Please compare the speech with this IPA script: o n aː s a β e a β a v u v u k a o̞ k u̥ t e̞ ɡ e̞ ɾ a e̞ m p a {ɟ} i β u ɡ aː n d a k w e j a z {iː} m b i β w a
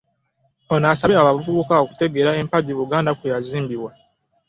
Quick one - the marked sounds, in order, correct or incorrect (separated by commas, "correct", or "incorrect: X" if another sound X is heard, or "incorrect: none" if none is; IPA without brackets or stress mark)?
correct, correct